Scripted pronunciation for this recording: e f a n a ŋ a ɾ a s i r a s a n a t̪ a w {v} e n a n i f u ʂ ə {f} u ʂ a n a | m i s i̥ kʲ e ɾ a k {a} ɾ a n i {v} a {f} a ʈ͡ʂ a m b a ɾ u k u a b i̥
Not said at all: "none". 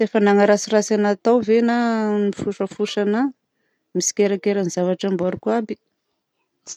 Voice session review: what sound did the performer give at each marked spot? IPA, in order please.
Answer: v, f, e, z, v

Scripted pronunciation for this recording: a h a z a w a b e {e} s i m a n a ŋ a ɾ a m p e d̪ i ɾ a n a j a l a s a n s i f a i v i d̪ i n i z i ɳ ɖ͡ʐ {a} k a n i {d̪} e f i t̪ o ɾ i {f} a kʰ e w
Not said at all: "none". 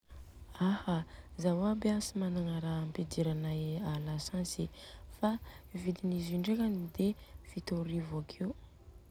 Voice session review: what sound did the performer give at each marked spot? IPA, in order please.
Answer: a, e, d̪, v

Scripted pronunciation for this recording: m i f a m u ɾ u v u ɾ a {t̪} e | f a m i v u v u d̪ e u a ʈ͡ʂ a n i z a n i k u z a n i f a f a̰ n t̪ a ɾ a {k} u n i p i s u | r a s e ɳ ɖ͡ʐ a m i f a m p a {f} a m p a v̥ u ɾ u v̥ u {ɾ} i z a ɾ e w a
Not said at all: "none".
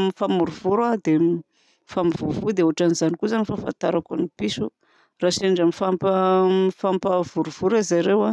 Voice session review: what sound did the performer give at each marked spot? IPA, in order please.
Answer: d̪, k, f, ɾ

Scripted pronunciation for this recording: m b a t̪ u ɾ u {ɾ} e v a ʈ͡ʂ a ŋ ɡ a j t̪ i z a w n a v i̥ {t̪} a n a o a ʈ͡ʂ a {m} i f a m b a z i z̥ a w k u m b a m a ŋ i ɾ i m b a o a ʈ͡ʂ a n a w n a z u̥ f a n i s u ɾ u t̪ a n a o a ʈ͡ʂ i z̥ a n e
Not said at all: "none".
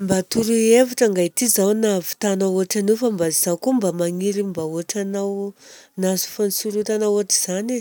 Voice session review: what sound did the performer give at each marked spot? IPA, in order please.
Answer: none, t̪, n

